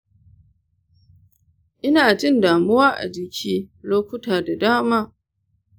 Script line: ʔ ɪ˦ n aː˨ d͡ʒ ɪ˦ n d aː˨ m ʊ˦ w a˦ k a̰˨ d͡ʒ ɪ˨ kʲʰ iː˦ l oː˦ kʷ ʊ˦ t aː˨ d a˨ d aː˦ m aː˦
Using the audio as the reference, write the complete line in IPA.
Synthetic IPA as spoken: ʔ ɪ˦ n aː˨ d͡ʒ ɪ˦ n d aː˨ m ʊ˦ w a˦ ʔ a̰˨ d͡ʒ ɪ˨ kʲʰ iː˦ l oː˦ kʷ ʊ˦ t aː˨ d a˨ d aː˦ m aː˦